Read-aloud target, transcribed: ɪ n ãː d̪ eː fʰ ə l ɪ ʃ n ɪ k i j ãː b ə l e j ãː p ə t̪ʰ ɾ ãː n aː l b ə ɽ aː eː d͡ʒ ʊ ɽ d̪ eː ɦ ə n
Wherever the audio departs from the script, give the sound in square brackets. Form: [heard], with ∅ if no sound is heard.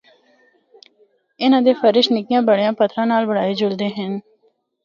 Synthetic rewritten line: ɪ n ãː d̪ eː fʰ ə [ɾ] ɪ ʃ n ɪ k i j ãː b ə [ɽ] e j ãː p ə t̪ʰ ɾ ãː n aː l b ə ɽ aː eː d͡ʒ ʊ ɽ d̪ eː ɦ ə n